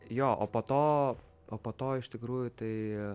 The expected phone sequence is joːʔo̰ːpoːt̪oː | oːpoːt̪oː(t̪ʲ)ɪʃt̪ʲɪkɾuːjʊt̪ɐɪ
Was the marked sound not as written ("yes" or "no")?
yes